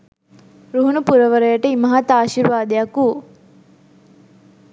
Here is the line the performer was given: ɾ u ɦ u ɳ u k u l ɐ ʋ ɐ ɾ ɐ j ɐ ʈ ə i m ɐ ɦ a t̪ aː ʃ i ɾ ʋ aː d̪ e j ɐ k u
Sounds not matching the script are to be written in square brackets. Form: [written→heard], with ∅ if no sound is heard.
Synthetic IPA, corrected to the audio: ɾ u ɦ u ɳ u [k→p] u [l→ɾ] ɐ ʋ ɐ ɾ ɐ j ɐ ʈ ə i m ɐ ɦ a t̪ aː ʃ i ɾ ʋ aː d̪ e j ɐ k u